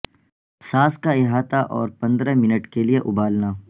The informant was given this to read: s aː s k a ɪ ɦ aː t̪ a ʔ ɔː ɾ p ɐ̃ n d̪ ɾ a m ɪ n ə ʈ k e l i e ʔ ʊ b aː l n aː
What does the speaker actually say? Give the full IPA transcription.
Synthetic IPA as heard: s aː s k a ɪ ɦ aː t̪ a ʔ ɔː ɾ p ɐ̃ n d̪ ɾ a m ɪ n ə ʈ k e l i e ʔ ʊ b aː l n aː